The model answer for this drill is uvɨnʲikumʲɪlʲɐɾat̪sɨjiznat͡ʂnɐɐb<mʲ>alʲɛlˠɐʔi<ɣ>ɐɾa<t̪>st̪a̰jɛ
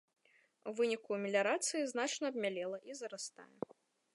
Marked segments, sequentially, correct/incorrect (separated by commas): correct, incorrect, incorrect